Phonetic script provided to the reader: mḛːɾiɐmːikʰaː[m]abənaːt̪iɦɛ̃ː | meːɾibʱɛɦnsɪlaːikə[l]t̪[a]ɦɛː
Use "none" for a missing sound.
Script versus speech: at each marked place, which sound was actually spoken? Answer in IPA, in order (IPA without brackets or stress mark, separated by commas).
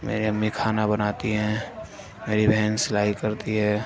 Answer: n, ɾ, i